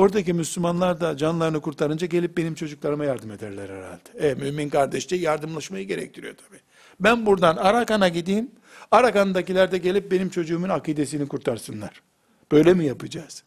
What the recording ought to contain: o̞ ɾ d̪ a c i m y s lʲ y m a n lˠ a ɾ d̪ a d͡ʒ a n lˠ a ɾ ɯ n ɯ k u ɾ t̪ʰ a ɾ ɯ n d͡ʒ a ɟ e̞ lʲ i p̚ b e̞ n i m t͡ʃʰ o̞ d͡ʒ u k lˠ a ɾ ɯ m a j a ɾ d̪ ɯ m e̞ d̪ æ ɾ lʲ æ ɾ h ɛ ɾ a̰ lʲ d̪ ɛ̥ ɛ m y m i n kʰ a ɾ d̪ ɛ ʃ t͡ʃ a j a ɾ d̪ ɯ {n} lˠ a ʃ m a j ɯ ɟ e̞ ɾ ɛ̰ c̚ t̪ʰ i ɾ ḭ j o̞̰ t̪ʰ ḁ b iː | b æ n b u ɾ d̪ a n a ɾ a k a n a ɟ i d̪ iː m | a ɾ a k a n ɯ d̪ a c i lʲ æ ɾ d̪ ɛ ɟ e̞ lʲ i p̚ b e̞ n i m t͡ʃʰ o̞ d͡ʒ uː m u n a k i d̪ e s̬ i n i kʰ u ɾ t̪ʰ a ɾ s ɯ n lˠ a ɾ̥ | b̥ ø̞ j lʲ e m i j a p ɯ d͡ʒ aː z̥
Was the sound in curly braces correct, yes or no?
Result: no